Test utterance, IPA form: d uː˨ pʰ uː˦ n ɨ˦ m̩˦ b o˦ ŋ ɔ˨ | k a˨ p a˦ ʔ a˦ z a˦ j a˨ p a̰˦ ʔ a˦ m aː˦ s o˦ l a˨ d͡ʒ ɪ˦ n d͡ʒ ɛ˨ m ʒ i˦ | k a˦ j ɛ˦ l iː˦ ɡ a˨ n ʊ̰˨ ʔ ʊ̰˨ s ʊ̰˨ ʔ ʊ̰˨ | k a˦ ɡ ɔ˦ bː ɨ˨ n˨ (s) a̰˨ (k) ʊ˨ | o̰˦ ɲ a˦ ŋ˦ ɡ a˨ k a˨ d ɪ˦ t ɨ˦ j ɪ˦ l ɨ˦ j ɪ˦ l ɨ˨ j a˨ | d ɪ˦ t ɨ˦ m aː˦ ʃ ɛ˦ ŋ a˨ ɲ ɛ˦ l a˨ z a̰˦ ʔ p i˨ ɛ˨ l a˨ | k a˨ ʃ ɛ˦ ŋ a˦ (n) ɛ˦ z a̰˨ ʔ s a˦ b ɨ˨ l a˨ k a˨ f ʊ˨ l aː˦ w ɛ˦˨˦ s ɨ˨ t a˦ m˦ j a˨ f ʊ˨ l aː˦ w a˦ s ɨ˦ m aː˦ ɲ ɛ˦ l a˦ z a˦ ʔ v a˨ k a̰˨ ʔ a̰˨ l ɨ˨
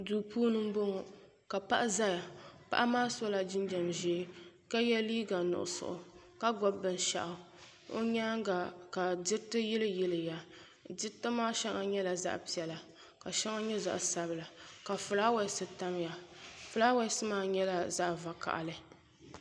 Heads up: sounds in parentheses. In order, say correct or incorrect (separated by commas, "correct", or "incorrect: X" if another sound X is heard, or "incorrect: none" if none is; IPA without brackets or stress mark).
incorrect: ʃ, incorrect: ʔ, incorrect: ɲ